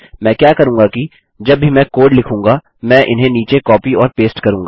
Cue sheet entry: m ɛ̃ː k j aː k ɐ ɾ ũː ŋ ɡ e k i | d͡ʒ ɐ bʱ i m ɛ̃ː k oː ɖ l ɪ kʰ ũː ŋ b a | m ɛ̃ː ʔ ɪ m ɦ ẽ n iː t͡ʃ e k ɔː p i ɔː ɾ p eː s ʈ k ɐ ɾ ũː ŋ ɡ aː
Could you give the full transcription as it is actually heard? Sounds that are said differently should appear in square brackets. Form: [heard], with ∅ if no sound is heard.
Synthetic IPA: m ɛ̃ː k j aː k ɐ ɾ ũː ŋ ɡ [a] k i | d͡ʒ ɐ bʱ i m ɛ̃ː k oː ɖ l ɪ kʰ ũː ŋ [ɡ] a | m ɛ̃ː ʔ ɪ [n] ɦ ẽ n iː t͡ʃ e k ɔː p i ɔː ɾ p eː s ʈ k ɐ ɾ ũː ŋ ɡ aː

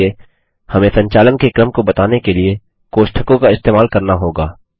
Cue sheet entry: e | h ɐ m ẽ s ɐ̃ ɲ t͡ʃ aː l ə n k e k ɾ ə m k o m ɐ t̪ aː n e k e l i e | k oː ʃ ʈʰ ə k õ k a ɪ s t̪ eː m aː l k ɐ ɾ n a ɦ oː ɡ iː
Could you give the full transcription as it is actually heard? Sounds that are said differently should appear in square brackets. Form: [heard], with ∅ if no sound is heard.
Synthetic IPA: e | h ɐ m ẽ s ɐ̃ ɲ t͡ʃ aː l ə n k e k ɾ ə m k o [b] ɐ t̪ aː n e k e l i e | k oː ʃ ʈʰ ə k õ k a ɪ s t̪ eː m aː l k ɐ ɾ n a ɦ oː ɡ [aː]

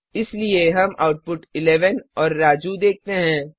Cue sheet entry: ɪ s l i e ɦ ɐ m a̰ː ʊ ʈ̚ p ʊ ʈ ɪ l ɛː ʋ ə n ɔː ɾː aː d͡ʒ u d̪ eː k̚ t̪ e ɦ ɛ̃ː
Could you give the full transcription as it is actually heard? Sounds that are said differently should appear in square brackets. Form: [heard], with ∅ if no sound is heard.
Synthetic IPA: ɪ s l i e ɦ ɐ m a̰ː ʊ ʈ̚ p ʊ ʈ ɪ l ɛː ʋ ə n ɔː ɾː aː d͡ʒ u d̪ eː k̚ t̪ e ɦ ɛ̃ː

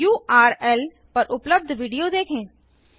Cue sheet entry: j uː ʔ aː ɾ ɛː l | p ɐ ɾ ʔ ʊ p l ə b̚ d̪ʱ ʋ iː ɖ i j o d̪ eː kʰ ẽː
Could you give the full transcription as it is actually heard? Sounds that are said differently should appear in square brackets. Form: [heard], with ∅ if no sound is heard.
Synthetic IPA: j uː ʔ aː ɾ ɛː l | p ɐ ɾ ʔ ʊ p l ə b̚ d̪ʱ ʋ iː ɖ i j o d̪ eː kʰ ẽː

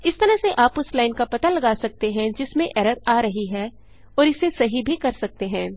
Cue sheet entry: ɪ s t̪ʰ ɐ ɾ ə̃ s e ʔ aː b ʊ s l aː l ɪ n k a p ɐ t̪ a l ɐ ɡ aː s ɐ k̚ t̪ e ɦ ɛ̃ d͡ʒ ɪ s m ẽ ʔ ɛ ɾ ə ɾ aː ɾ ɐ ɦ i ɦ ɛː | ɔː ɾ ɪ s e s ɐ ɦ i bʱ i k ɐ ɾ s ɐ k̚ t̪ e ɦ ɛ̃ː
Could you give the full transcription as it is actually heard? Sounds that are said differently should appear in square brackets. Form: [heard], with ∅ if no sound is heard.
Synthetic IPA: ɪ s [t̪] ɐ ɾ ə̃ s e ʔ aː [p] ʊ s l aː [∅] ɪ n k a p ɐ t̪ a l ɐ ɡ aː s ɐ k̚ t̪ e ɦ ɛ̃ d͡ʒ ɪ s m ẽ ʔ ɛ ɾ ə ɾ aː ɾ ɐ ɦ i ɦ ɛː | ɔː ɾ ɪ s e s ɐ ɦ i bʱ i k ɐ ɾ s ɐ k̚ t̪ e ɦ ɛ̃ː

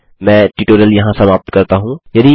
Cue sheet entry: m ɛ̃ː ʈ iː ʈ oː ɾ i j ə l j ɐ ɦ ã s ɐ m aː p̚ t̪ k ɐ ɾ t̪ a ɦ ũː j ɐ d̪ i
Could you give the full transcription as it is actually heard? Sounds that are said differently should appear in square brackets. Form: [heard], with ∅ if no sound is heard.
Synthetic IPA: m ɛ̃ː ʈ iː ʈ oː ɾ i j ə l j ɐ ɦ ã s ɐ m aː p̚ t̪ k ɐ ɾ t̪ a ɦ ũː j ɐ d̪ i

